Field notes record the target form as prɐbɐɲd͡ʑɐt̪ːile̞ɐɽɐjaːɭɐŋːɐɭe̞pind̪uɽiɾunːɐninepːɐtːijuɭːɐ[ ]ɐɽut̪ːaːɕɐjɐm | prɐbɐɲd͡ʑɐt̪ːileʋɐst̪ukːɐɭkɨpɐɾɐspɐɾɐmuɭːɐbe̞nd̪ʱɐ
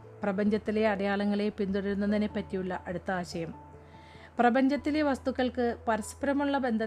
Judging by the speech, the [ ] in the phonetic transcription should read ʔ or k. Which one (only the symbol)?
ʔ